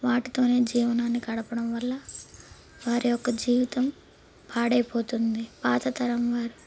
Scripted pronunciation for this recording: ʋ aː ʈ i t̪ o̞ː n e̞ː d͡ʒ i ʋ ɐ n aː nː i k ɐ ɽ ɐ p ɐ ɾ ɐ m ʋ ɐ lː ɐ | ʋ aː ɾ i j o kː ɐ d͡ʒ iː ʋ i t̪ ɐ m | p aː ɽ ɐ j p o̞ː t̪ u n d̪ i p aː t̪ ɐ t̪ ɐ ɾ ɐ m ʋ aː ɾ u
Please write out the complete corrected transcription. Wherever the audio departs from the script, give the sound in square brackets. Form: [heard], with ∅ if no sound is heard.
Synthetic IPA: ʋ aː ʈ i t̪ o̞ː n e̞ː d͡ʒ [iː] ʋ ɐ n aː nː i k ɐ ɽ ɐ p ɐ [ɽ] ɐ m ʋ ɐ lː ɐ | ʋ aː ɾ i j [ɔ] kː ɐ d͡ʒ iː ʋ i t̪ ɐ m | p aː ɽ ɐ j p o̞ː t̪ u n d̪ i p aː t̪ ɐ t̪ ɐ ɾ ɐ m ʋ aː ɾ u

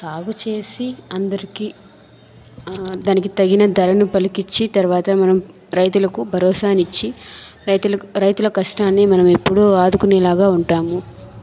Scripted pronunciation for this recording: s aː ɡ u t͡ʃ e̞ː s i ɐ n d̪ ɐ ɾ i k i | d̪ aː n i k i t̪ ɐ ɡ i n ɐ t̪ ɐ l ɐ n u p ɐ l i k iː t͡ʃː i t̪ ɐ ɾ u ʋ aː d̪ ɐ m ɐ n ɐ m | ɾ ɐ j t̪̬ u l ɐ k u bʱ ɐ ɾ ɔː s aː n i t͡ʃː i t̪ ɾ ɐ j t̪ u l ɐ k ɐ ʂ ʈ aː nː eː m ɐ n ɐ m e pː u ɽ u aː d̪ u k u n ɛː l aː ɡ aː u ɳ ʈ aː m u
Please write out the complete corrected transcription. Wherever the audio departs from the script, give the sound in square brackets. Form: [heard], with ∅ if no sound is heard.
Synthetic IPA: s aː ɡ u t͡ʃ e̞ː s i ɐ n d̪ ɐ ɾ i k i | d̪ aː n i k i t̪ ɐ ɡ i n ɐ [d̪] ɐ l ɐ n u p ɐ l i k [i] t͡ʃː i t̪ ɐ ɾ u ʋ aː [t̪] ɐ m ɐ n ɐ m | ɾ ɐ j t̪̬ u l ɐ k u bʱ ɐ ɾ ɔː s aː n i t͡ʃː i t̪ ɾ ɐ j t̪ u l ɐ k ɐ ʂ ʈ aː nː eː m ɐ n ɐ m e pː u ɽ u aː d̪ u k u n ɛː l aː ɡ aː u ɳ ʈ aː m u

